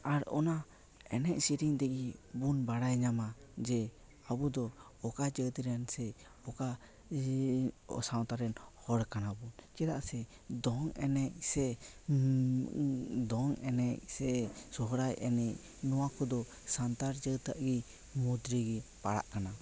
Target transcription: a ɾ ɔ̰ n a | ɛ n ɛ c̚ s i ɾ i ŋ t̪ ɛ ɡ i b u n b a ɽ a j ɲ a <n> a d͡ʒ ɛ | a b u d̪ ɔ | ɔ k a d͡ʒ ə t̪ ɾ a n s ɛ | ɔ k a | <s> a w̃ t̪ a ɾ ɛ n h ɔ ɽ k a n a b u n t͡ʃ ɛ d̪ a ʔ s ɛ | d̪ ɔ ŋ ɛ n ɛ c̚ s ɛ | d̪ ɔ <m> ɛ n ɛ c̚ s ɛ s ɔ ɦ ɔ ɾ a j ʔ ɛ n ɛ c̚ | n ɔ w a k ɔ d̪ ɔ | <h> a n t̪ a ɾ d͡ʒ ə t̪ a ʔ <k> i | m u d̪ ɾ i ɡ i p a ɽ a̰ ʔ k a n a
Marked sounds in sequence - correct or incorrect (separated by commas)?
incorrect, correct, incorrect, incorrect, incorrect